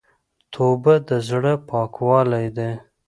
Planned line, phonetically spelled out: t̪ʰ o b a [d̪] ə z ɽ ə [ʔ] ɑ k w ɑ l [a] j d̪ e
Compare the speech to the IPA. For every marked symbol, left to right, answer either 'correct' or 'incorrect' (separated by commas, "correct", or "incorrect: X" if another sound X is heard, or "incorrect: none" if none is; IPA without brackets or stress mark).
correct, incorrect: p, correct